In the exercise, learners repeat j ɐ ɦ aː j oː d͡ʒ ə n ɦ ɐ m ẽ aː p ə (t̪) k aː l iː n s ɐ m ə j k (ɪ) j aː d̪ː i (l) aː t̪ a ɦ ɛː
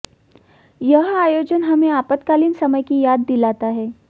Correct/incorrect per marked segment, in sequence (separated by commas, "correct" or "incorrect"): correct, incorrect, correct